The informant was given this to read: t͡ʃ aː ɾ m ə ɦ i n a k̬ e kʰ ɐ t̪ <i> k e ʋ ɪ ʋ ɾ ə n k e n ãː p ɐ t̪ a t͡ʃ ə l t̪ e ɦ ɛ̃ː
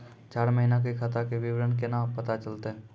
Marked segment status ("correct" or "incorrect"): incorrect